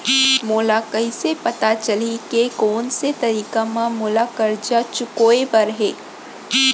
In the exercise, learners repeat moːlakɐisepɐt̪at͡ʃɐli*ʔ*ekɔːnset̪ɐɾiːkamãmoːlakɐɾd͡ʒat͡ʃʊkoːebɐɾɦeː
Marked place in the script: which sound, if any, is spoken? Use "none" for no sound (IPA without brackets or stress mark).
k